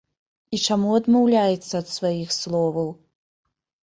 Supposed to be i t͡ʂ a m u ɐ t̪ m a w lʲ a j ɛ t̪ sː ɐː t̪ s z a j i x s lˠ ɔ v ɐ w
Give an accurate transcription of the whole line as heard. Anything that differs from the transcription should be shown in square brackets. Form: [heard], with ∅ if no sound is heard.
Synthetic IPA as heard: i t͡ʂ a m u ɐ [d̪] m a w lʲ a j ɛ t̪ sː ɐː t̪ s [v] a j i x s lˠ ɔ v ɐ w